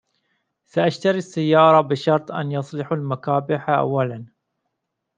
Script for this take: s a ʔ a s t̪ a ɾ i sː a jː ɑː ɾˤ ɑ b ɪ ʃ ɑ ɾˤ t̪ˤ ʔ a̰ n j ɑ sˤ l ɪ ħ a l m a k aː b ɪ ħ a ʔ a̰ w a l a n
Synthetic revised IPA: s a ʔ a ʃ t̪ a ɾ i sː a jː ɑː ɾˤ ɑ b ɪ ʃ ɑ ɾˤ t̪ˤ ʔ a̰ n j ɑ sˤ l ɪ ħ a l m a k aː b ɪ ħ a ʔ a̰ wː a l a n